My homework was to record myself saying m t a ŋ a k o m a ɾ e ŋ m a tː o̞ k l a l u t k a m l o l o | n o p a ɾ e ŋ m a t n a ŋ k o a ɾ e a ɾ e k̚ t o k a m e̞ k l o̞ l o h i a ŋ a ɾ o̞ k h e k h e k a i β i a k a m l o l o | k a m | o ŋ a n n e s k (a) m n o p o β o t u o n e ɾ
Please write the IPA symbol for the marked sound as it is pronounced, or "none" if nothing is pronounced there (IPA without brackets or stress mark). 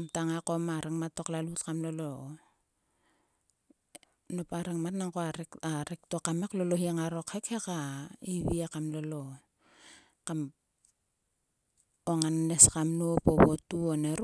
a